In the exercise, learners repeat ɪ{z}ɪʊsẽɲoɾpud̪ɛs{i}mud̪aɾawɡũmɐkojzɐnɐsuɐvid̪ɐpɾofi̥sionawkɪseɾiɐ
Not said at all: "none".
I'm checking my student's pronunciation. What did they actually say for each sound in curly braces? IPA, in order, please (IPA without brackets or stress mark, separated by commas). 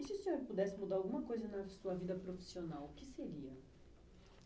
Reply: s, ɪ